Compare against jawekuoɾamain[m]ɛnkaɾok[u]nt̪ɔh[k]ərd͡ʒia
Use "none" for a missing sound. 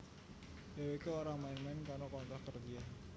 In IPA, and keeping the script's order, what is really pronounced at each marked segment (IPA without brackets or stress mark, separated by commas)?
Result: m, ɔ, k